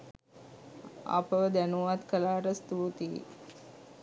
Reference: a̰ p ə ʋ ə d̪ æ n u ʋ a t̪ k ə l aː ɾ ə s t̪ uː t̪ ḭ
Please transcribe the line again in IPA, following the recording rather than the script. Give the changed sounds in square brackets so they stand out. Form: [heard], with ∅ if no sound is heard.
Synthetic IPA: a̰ p ə ʋ ə d̪ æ n u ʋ a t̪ k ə l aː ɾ ə s t̪ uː t̪ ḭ